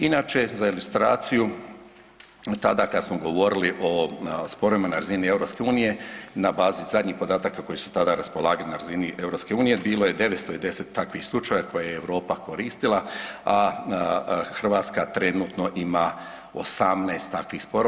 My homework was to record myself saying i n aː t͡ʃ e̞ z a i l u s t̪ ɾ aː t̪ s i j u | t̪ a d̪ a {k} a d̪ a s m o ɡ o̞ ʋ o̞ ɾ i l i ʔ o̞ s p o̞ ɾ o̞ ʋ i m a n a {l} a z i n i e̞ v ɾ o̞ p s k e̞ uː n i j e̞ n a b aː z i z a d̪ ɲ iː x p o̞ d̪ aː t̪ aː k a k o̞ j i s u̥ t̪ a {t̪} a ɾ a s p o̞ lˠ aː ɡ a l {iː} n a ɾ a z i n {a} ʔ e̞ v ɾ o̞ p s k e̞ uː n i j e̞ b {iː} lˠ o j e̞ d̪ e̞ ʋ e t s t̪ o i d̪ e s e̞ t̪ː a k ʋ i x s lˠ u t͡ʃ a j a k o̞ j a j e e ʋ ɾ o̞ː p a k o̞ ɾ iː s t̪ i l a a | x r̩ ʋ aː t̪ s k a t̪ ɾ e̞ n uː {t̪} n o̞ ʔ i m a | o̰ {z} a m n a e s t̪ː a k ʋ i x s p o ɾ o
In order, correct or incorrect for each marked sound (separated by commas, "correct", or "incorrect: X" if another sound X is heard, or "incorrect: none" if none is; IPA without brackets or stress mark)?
correct, incorrect: ɾ, incorrect: d̪, incorrect: i, incorrect: i, correct, correct, incorrect: s